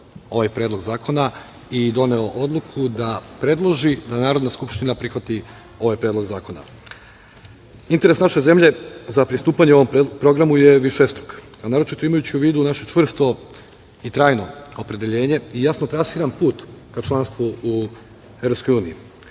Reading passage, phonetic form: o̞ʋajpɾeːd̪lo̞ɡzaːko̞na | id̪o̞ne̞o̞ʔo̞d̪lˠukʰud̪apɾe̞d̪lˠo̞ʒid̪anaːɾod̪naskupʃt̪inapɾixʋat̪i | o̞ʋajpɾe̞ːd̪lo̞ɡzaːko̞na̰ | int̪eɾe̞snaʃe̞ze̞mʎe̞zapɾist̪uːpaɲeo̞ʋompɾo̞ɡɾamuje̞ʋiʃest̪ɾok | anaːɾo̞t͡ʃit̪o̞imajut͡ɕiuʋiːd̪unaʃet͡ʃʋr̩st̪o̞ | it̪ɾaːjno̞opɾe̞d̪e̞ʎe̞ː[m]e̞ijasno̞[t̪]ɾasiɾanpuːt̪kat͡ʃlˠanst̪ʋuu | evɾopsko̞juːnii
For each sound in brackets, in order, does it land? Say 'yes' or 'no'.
no, yes

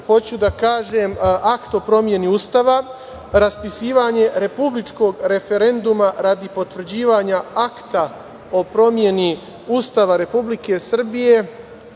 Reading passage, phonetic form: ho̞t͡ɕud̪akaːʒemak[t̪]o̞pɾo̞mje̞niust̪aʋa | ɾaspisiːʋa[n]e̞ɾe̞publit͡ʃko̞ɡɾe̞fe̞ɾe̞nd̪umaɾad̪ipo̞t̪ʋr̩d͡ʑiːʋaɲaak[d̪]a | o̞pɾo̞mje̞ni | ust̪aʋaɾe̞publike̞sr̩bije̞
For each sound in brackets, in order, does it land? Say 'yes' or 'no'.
yes, no, no

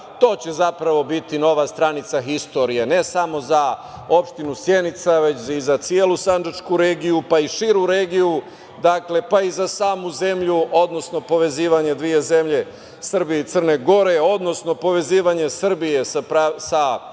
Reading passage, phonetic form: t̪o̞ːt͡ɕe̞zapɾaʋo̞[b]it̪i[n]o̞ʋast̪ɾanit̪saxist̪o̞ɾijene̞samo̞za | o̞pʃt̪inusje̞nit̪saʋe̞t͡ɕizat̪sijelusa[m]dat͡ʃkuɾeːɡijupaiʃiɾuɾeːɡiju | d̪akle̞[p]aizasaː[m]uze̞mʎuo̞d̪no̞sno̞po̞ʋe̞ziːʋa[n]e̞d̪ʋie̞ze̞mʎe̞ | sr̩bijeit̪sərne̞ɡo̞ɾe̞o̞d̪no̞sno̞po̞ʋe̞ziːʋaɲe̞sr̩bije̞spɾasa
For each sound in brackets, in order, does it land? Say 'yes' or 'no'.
yes, yes, no, yes, yes, no

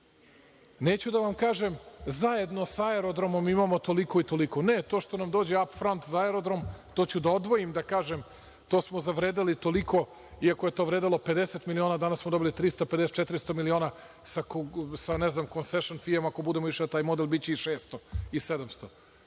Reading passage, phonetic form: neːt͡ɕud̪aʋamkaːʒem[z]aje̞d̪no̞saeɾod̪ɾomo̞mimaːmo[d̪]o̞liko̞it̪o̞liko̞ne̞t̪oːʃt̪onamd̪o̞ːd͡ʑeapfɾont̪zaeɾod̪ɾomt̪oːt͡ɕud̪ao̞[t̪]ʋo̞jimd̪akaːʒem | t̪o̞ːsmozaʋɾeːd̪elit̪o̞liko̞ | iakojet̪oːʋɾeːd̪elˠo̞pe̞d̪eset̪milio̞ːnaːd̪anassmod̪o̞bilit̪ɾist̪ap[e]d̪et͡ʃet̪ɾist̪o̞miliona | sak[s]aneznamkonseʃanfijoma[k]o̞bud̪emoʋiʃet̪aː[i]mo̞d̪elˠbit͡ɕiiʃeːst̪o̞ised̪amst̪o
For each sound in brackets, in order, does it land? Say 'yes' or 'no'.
yes, no, no, yes, yes, yes, no

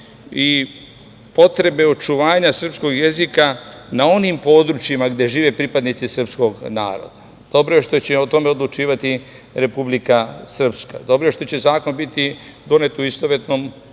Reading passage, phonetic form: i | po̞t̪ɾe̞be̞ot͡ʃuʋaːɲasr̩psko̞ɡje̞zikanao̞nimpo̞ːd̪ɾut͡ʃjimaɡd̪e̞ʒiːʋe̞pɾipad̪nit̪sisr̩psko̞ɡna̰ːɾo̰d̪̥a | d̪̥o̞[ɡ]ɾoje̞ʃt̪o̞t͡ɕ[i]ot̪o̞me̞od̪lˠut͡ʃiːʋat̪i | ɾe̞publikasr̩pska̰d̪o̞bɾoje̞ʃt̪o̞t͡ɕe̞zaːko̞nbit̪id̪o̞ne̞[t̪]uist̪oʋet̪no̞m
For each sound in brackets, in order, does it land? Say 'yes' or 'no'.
no, no, yes

